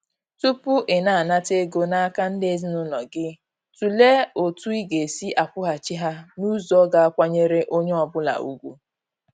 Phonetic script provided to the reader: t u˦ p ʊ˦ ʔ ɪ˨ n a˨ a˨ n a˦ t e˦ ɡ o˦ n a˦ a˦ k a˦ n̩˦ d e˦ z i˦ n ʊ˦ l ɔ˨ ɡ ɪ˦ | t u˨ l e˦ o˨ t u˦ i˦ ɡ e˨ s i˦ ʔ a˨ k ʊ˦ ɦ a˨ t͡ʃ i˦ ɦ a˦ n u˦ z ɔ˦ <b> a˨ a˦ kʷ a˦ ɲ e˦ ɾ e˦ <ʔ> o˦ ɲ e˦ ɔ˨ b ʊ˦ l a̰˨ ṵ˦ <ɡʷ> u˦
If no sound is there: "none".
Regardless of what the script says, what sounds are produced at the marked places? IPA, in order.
ɡ, ʔ, ɡʷ

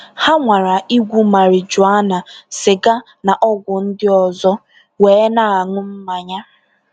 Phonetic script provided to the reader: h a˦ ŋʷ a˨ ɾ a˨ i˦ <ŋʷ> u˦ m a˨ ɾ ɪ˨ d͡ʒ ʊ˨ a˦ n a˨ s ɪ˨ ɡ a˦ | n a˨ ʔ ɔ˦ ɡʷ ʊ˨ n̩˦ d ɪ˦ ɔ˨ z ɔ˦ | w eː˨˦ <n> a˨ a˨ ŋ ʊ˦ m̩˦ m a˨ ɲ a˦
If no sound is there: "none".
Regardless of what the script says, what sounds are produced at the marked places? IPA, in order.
ɡʷ, n

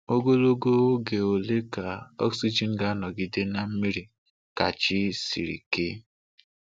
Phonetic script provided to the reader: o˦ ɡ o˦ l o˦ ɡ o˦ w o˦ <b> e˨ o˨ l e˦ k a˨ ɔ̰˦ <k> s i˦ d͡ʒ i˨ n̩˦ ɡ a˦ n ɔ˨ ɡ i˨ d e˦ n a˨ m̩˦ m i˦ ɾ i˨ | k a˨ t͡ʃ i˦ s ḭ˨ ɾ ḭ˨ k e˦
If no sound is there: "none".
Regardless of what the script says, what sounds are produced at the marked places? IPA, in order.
ɡ, k

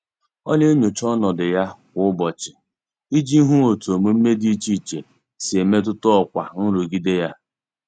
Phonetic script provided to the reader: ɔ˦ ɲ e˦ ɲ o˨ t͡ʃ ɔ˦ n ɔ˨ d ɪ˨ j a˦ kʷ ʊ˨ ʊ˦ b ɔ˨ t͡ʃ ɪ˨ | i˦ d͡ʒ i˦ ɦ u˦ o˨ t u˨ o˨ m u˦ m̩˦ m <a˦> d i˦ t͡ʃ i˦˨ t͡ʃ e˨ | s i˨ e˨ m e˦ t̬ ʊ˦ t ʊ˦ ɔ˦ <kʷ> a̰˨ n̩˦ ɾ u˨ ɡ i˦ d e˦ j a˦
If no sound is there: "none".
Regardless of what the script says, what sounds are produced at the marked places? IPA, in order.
e˦, kʷ

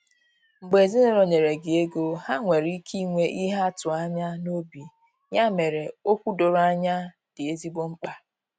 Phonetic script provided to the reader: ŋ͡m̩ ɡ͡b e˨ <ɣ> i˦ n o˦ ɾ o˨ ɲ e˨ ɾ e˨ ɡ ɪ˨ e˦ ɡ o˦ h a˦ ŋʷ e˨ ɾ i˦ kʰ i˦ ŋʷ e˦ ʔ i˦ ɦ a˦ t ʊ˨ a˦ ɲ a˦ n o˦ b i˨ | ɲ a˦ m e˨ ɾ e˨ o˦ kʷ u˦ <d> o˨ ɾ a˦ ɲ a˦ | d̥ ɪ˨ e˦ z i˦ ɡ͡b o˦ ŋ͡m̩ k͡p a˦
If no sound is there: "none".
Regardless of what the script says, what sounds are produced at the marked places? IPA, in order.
z, d

